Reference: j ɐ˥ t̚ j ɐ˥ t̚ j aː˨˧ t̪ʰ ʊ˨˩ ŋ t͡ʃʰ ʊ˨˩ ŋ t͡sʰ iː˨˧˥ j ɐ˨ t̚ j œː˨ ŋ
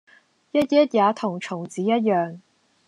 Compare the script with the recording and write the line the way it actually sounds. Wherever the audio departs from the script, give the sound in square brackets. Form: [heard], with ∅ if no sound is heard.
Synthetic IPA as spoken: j ɐ˥ t̚ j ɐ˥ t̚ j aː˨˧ t̪ʰ ʊ˨˩ ŋ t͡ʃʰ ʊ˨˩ ŋ [t͡s] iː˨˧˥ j [ɐ˥] t̚ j œː˨ ŋ